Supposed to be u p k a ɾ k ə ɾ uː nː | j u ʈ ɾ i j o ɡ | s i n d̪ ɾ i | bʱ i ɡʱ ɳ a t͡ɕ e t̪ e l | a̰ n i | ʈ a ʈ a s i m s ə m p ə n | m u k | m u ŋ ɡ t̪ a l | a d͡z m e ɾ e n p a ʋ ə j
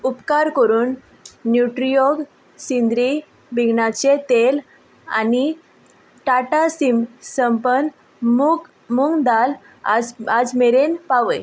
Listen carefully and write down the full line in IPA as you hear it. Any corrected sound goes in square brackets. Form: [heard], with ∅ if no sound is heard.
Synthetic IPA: u p k a ɾ k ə ɾ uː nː | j u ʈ ɾ i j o ɡ | s i n d̪ ɾ i | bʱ i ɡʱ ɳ a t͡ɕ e t̪ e l | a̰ n i | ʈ a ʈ a s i m s ə m p ə n | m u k | m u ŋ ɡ [d̪] a l | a d͡z m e ɾ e n p a ʋ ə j